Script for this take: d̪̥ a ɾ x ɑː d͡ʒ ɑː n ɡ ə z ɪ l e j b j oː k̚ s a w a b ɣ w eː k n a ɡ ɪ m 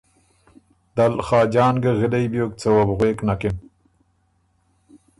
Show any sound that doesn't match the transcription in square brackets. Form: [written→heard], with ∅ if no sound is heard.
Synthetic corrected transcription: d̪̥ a [ɾ→l] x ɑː d͡ʒ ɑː n ɡ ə [z→ɣ] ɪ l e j b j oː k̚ [s→t͡s] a w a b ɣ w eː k n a [ɡ→k] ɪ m